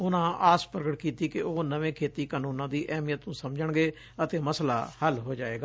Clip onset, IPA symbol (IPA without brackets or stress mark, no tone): ʊ